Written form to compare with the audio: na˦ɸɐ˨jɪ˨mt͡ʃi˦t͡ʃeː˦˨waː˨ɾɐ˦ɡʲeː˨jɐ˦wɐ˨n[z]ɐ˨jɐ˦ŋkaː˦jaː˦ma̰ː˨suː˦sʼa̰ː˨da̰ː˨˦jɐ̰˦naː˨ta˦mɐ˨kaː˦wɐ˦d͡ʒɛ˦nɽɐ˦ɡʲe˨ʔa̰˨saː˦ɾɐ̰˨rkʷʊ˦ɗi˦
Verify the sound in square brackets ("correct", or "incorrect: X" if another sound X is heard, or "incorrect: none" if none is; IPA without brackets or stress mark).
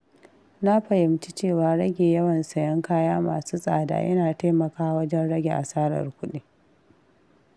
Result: incorrect: s